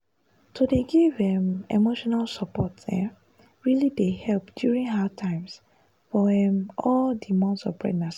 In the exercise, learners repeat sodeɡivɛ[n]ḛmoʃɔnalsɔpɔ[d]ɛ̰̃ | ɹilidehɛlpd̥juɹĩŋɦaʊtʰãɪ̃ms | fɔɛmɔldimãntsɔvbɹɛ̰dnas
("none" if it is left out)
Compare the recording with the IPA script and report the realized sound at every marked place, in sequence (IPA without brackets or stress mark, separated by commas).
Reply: m, t